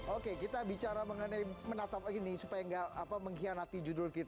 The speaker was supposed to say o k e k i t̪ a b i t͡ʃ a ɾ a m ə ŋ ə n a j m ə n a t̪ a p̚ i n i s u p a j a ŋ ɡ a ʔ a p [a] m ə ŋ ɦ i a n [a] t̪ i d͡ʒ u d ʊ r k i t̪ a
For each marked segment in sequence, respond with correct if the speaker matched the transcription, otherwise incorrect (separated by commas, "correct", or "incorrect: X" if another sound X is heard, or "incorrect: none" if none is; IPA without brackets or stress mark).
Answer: correct, correct